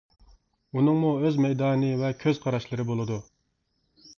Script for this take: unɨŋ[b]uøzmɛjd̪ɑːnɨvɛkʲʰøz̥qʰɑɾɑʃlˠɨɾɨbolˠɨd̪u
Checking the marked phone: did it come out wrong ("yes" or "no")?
yes